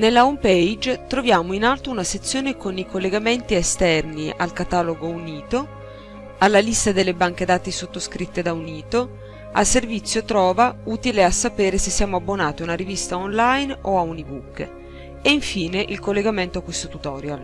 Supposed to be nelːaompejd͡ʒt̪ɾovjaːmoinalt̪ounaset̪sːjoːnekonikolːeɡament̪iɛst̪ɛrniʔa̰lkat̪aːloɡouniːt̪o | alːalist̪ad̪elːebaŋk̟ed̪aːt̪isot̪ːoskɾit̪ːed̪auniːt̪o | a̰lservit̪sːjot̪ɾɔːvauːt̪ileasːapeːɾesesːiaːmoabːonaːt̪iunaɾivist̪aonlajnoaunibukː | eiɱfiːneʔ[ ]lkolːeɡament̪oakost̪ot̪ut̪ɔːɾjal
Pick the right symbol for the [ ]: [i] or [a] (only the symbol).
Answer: i